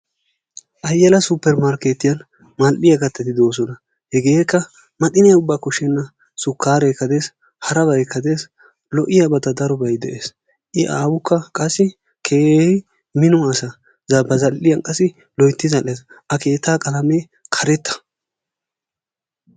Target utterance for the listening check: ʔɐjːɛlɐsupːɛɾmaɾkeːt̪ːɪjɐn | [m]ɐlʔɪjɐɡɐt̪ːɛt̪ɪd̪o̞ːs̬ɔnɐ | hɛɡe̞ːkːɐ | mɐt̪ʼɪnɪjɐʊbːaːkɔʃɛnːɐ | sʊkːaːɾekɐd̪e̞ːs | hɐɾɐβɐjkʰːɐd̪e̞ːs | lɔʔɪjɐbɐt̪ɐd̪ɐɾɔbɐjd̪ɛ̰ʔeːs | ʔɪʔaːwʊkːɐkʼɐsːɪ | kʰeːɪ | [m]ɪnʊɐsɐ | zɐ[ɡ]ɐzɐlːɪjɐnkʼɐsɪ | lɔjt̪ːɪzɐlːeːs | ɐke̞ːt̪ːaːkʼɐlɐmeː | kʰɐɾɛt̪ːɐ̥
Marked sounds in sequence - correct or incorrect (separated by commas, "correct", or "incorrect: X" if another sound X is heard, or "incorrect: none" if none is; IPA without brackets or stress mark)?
correct, correct, incorrect: b